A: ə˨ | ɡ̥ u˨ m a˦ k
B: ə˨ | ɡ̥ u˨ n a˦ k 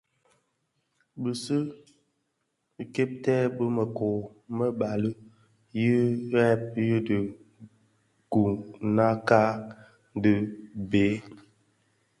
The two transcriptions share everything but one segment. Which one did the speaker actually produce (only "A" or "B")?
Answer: B